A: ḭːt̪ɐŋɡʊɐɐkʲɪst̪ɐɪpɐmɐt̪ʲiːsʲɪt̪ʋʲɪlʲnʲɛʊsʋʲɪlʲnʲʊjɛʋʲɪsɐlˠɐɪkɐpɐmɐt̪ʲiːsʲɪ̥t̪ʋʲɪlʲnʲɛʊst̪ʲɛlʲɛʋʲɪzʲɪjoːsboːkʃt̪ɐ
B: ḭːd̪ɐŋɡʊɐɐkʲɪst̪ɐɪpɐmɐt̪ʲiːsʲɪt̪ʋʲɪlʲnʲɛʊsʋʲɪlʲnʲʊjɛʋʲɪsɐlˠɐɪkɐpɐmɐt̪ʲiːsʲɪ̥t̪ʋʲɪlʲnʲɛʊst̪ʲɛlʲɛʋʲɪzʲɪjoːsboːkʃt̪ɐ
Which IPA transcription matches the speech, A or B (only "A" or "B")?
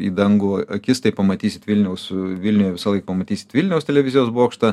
B